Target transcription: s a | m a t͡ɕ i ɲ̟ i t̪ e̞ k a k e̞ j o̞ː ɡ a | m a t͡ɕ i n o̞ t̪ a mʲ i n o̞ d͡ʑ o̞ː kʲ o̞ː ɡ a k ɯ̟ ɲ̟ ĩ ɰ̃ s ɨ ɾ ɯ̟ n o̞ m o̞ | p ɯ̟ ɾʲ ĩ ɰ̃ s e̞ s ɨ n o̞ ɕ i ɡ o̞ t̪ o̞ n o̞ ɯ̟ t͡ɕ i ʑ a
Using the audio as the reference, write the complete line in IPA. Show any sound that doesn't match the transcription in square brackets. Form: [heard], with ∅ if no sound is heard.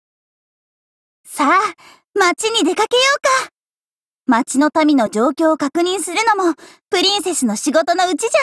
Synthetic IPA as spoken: s a | m a t͡ɕ i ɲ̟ i [d̪] e̞ k a k e̞ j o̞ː [k] a | m a t͡ɕ i n o̞ t̪ a mʲ i n o̞ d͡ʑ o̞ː kʲ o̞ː [k] a k ɯ̟ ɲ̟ ĩ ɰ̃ s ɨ ɾ ɯ̟ n o̞ m o̞ | p ɯ̟ ɾʲ ĩ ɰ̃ s e̞ s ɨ n o̞ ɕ i ɡ o̞ t̪ o̞ n o̞ ɯ̟ t͡ɕ i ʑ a